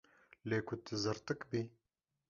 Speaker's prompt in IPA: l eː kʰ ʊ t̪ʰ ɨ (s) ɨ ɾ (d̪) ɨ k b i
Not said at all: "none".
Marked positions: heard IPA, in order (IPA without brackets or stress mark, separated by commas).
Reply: z, t̪